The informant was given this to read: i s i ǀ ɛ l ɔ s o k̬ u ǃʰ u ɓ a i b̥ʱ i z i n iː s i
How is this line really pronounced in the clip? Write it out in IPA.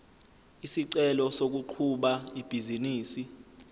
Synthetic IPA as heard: i s i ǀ ɛ l ɔ s o k̬ u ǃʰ u ɓ a i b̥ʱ i z i n iː s i